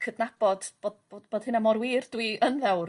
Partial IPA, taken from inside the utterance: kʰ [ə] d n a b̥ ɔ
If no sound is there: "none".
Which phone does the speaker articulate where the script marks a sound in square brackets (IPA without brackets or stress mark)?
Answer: ə